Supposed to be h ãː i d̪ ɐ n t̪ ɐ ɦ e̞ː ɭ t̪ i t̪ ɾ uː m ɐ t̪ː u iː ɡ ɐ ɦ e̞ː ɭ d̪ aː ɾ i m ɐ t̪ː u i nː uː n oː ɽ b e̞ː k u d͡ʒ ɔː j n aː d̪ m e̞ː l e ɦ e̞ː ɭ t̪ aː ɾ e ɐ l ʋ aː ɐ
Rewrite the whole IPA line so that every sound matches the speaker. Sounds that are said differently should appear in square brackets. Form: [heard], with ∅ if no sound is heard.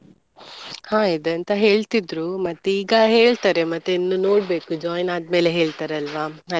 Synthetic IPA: h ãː i d̪ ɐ n t̪ ɐ ɦ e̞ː ɭ t̪ i [d̪] ɾ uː m ɐ t̪ː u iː ɡ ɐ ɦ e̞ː ɭ [t̪] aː ɾ [e] m ɐ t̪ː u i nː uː n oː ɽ b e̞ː k u d͡ʒ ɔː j n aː d̪ m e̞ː l e ɦ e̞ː ɭ t̪ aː ɾ e ɐ l ʋ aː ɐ

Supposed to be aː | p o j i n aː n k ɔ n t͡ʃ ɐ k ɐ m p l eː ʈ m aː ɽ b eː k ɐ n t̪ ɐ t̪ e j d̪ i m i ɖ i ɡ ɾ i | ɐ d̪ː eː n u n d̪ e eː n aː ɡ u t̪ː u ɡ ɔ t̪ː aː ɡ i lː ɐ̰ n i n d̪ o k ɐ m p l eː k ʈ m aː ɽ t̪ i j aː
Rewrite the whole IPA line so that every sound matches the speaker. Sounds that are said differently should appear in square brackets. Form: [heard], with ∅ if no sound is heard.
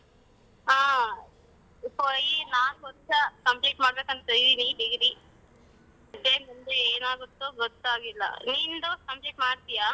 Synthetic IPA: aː | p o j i n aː n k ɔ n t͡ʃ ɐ k ɐ m p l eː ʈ m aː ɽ b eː k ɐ n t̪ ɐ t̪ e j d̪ i [n] i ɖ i ɡ ɾ i | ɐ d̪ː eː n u n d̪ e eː n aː ɡ u t̪ː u ɡ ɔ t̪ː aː ɡ i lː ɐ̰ n i n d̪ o k ɐ m p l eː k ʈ m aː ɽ t̪ i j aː

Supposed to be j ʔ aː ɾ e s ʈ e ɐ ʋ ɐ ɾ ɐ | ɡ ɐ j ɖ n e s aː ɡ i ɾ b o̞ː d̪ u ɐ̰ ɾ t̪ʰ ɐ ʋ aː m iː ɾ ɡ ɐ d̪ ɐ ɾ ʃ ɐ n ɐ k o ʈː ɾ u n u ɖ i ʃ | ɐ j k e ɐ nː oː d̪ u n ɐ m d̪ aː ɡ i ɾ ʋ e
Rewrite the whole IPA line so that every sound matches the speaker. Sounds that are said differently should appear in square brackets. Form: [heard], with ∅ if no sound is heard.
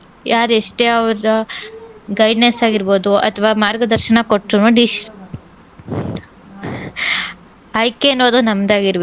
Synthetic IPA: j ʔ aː ɾ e [ʂ] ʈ e ɐ ʋ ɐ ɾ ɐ | ɡ ɐ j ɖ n e s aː ɡ i ɾ b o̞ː d̪ u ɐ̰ [∅] t̪ʰ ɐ ʋ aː m [aː] ɾ ɡ ɐ d̪ ɐ ɾ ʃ ɐ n ɐ k o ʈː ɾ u n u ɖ i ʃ | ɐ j k e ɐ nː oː d̪ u n ɐ m d̪ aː ɡ i ɾ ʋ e

